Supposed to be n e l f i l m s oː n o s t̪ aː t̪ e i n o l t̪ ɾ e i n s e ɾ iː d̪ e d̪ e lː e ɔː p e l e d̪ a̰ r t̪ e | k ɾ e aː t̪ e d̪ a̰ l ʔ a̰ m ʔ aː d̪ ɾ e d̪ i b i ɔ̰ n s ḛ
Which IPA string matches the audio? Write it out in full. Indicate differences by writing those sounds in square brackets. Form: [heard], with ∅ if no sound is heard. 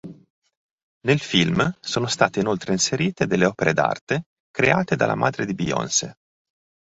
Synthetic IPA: n e l f i l m s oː n o s t̪ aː t̪ e i n o l t̪ ɾ e i n s e ɾ iː [t̪] e d̪ e lː e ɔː p e [ɾ] e d̪ a̰ r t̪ e | k ɾ e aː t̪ e d̪ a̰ l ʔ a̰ m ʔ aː d̪ ɾ e d̪ i b i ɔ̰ n s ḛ

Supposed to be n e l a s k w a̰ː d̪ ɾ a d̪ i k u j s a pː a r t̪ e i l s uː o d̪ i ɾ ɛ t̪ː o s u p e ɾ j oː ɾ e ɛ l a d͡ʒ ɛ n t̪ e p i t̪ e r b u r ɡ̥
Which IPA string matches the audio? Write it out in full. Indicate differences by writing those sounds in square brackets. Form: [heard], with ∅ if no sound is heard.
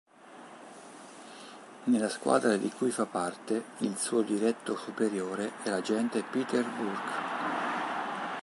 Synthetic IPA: n e l a s k w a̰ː d̪ ɾ a d̪ i k u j [f] a pː a r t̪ e i l s uː o d̪ i ɾ ɛ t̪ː o s u p e ɾ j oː ɾ e ɛ l a d͡ʒ ɛ n t̪ e p i t̪ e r b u r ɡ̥

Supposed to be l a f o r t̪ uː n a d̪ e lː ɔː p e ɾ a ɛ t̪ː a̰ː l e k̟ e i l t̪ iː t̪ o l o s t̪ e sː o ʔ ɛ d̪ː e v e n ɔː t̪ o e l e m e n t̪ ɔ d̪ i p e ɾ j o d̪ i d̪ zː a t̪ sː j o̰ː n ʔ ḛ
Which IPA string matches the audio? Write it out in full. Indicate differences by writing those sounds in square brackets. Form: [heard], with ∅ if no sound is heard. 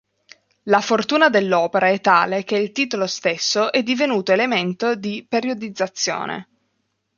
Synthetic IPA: l a f o r t̪ uː n a d̪ e lː ɔː p e ɾ a ɛ t̪ː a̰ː l e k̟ e i l t̪ iː t̪ o l o s t̪ e sː o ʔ ɛ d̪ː [i] v e n [uː] t̪ o e l e m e n t̪ [o] d̪ i p e ɾ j o d̪ i d̪ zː a t̪ sː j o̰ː n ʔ ḛ

